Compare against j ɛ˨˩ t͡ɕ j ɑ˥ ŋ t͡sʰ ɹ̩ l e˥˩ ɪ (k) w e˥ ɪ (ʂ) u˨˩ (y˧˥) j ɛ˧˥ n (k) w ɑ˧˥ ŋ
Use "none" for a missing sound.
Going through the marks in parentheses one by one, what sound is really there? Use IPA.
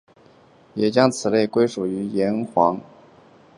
k, ʂ, y˧˥, x

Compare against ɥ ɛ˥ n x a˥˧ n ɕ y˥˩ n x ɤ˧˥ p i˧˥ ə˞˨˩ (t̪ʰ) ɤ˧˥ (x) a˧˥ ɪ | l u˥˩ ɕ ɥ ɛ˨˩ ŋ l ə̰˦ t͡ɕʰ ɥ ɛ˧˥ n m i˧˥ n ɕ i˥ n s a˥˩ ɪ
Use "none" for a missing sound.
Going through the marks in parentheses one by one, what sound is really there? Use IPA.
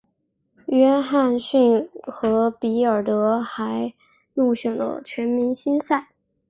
t̪, x

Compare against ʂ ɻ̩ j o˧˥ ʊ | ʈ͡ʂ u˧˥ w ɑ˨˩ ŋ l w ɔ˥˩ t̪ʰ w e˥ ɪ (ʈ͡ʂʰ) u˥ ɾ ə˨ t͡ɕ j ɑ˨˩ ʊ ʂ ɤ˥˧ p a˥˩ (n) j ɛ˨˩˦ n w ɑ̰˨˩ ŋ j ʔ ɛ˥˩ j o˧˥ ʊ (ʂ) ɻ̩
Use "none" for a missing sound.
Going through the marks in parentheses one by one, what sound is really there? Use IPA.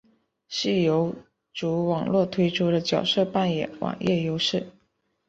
ʈ͡ʂʰ, n, ʂ

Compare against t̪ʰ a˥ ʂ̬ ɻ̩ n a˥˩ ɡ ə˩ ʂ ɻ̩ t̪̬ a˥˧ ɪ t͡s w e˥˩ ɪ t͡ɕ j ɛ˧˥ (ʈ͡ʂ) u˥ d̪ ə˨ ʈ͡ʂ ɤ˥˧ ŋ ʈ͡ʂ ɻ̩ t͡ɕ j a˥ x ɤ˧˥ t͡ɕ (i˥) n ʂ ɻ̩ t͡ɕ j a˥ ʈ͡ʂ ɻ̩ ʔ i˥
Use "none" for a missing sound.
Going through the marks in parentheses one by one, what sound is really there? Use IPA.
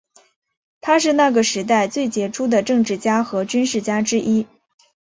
ʈ͡ʂʰ, y˥

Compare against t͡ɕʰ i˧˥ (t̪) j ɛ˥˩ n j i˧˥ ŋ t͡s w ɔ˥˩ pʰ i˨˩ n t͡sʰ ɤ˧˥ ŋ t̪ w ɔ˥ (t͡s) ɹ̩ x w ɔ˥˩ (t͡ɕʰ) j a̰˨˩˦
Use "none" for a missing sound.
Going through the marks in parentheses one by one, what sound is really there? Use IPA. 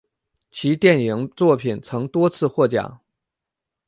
t̪, t͡sʰ, t͡ɕ

